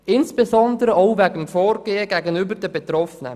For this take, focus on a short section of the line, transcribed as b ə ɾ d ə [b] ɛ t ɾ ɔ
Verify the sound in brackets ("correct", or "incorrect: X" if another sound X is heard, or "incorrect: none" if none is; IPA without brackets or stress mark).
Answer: correct